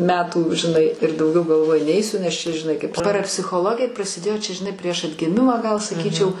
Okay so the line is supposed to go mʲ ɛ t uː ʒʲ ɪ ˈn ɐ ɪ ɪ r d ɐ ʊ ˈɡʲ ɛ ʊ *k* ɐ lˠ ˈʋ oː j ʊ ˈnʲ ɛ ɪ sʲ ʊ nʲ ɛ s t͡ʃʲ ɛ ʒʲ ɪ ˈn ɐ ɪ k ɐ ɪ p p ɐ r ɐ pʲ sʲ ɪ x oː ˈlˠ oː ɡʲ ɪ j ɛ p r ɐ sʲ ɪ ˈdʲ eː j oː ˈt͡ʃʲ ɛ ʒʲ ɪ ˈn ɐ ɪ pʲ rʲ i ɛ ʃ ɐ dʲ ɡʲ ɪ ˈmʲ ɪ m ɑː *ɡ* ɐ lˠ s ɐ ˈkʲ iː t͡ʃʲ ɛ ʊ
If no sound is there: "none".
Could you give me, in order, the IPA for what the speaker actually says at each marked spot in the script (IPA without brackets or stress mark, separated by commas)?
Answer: ɡ, ɡ